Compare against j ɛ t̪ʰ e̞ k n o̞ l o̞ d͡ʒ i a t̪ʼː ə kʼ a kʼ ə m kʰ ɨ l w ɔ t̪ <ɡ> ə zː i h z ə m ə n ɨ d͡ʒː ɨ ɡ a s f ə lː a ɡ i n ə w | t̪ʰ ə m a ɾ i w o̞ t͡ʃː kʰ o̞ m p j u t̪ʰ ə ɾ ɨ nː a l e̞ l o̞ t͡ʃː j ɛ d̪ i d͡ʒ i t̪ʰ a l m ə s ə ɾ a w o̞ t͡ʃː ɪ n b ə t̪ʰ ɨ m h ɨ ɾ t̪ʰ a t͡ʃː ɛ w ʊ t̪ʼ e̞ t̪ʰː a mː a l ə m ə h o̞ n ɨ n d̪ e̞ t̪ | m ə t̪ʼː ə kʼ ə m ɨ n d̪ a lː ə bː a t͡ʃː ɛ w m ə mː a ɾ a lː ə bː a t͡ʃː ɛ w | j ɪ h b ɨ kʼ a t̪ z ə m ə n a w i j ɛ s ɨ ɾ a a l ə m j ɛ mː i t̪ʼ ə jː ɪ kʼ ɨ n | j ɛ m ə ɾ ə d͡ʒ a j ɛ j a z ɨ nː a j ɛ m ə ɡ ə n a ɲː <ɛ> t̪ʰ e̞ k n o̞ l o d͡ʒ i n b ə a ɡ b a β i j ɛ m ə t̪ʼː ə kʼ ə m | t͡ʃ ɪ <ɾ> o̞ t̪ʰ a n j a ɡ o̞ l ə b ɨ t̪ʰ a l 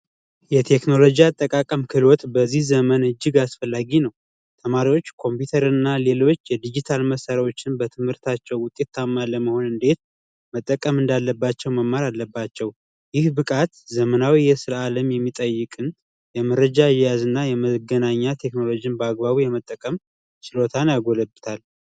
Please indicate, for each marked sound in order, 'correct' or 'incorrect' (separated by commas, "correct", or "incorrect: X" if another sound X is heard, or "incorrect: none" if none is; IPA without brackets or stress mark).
incorrect: b, incorrect: a, incorrect: l